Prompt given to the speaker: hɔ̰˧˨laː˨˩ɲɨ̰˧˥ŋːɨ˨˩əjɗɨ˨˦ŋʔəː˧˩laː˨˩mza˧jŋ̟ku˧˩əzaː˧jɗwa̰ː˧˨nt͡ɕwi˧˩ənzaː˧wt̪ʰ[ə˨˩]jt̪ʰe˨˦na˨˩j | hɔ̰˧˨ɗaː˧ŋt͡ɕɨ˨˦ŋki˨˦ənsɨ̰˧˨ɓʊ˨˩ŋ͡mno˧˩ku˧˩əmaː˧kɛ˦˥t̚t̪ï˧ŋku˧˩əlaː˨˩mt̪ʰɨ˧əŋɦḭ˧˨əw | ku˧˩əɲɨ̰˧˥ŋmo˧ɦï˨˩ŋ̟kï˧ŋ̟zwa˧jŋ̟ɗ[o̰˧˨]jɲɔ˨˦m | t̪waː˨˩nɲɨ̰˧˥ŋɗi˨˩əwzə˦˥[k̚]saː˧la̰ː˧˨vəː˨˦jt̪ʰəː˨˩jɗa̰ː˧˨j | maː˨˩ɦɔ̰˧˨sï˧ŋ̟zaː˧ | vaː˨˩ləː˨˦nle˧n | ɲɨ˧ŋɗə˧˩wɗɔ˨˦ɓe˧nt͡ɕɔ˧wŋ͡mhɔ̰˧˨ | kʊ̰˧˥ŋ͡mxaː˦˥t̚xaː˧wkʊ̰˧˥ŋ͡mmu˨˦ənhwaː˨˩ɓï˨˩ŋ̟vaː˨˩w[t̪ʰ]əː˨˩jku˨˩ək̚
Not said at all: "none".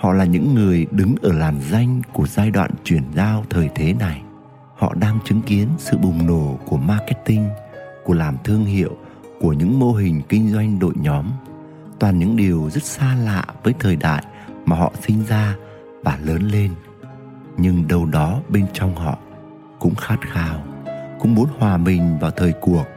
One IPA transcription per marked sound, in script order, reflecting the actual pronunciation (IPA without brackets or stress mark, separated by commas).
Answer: əː˨˩, o̰˧˨, t̚, t̪ʰ